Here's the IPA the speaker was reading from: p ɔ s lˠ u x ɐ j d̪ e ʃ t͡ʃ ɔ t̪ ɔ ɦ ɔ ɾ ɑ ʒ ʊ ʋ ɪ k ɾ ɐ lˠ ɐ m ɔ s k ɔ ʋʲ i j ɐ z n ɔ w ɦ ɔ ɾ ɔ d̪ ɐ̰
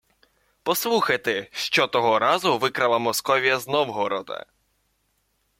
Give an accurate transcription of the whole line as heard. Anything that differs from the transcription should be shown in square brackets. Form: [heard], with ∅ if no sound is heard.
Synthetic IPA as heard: p ɔ s lˠ u x ɐ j [t̪] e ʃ t͡ʃ ɔ t̪ ɔ ɦ ɔ ɾ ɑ [z] ʊ ʋ ɪ k ɾ ɐ lˠ ɐ m ɔ s k ɔ ʋʲ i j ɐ z n ɔ w ɦ ɔ ɾ ɔ d̪ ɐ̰